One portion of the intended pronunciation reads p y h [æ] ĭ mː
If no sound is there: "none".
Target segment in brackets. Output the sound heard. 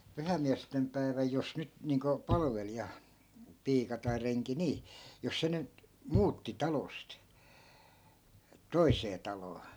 æ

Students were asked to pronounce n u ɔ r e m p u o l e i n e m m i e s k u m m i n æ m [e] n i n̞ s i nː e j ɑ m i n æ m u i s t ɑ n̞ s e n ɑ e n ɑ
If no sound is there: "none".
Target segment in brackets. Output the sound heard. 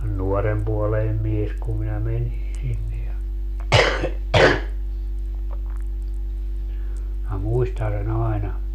e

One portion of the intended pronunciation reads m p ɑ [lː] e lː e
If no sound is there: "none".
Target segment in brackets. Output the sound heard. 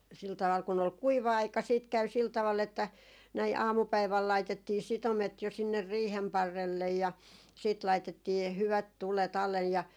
rː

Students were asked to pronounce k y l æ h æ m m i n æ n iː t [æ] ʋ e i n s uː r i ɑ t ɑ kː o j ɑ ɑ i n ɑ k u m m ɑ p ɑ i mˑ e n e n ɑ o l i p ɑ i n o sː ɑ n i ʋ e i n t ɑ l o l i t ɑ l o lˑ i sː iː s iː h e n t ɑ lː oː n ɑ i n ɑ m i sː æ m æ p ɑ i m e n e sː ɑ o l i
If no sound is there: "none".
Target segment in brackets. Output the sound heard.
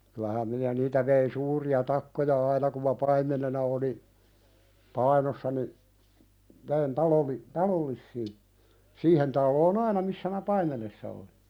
æ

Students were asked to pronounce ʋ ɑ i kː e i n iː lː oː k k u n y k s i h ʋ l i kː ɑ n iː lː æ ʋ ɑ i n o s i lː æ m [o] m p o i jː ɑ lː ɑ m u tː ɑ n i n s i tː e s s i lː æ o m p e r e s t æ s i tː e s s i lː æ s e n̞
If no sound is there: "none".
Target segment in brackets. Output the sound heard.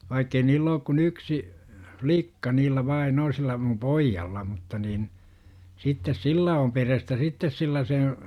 u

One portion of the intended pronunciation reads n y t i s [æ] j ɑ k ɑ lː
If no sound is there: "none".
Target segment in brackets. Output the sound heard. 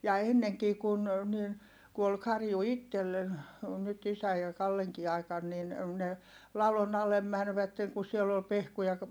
æ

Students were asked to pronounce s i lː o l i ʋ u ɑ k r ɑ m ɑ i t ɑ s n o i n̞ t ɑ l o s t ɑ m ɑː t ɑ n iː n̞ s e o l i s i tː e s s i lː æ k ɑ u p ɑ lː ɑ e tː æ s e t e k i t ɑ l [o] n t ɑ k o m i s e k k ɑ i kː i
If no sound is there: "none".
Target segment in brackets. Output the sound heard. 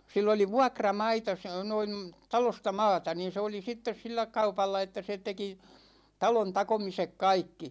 o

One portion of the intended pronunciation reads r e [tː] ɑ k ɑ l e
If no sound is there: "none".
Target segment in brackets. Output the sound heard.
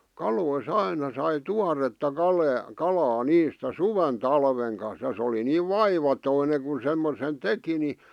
tː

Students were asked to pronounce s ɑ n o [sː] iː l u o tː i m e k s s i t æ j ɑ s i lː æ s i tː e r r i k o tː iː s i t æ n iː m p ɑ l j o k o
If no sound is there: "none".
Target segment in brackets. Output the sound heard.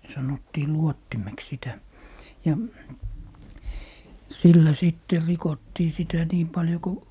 tː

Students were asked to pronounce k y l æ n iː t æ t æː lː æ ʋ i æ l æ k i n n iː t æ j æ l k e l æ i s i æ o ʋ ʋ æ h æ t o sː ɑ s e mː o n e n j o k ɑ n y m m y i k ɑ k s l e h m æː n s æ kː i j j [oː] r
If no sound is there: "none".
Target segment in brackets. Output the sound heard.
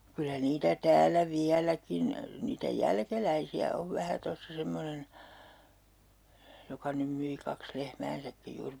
uː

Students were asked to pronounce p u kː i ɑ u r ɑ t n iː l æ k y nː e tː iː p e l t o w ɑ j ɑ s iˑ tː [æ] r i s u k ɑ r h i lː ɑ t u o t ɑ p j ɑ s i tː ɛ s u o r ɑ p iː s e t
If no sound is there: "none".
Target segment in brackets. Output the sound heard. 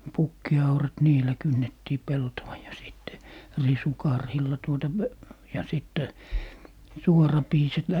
e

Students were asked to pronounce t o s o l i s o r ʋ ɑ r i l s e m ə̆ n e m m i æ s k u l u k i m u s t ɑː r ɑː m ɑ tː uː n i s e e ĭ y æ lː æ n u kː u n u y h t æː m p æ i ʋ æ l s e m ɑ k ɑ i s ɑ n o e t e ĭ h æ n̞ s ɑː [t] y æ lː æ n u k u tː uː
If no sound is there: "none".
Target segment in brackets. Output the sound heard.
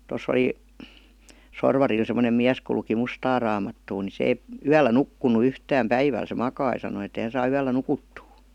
none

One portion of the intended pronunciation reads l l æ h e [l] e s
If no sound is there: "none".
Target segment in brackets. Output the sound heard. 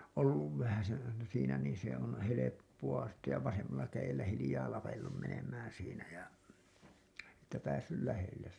lː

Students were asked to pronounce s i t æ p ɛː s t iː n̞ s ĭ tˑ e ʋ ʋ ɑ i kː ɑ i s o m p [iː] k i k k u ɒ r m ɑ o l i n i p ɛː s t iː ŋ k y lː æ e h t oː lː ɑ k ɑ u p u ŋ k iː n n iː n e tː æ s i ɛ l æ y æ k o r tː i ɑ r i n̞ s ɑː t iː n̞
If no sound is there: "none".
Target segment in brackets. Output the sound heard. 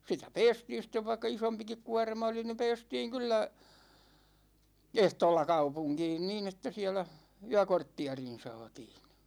i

